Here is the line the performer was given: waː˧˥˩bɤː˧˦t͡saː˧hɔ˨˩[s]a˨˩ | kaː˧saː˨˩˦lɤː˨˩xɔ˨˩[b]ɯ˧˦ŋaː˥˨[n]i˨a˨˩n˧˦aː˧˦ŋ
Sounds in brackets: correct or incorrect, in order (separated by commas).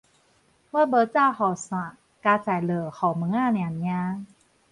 correct, incorrect, correct